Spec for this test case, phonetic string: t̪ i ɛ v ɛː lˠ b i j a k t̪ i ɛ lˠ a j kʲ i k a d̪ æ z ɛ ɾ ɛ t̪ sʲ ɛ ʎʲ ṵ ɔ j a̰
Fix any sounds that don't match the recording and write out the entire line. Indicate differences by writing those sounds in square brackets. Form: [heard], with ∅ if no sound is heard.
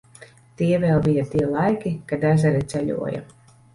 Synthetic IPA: t̪ i ɛ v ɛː lˠ b i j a [∅] t̪ i ɛ lˠ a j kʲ i k a d̪ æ z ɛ ɾ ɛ t̪ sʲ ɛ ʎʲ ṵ ɔ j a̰